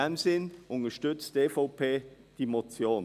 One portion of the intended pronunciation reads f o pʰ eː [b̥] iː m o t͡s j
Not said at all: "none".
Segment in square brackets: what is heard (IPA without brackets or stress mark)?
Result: d̥